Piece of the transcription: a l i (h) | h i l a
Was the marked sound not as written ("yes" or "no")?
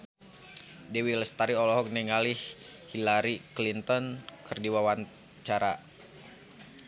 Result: no